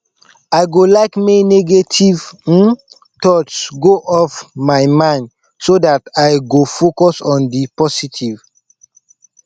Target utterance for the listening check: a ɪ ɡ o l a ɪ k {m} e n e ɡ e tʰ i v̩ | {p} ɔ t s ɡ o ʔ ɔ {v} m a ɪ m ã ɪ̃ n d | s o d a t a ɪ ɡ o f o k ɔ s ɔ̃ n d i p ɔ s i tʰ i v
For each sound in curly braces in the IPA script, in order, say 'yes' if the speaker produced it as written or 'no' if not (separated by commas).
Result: yes, no, no